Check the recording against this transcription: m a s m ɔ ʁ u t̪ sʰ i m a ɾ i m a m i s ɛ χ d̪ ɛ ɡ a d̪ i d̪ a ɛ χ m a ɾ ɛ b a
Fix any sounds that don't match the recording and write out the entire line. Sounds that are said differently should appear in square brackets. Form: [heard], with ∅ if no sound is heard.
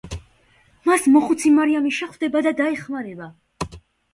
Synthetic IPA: m a s m ɔ [χ] u t̪ sʰ i m a ɾ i [∅] a m i [ʃ] ɛ χ d̪ ɛ [b] a d̪ [a] d̪ a ɛ χ m a ɾ ɛ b a